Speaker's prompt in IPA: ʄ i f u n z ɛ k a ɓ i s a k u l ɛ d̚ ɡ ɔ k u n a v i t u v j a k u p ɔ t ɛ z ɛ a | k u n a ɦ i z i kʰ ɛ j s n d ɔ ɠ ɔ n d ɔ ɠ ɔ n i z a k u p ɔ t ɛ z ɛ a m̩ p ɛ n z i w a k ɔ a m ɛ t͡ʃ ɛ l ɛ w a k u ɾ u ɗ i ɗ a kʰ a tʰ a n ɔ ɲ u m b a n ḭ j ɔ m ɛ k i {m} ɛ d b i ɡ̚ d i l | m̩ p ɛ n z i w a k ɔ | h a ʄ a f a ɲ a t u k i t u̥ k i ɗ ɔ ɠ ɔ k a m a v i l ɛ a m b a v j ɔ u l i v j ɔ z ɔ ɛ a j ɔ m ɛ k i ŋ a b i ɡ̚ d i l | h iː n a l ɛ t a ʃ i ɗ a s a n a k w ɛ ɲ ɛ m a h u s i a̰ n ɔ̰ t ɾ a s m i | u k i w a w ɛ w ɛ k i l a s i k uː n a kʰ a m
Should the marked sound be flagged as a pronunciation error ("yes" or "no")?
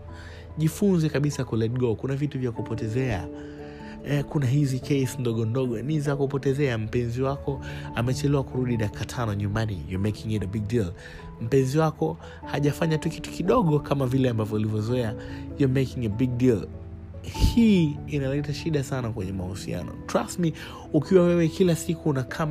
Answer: yes